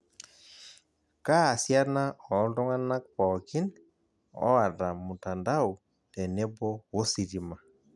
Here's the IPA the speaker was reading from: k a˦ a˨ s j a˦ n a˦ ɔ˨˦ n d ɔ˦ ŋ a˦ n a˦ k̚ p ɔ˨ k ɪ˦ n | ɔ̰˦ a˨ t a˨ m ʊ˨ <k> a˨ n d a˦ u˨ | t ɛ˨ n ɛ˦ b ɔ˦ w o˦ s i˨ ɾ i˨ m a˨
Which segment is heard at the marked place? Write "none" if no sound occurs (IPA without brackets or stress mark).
t